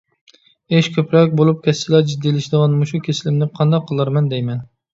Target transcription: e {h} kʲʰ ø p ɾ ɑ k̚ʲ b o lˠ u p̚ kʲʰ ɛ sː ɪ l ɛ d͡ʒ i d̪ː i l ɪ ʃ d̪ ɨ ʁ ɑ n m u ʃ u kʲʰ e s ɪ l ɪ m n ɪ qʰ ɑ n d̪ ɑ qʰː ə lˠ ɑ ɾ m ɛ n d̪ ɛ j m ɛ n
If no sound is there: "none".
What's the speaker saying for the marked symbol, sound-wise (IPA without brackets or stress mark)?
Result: ʃ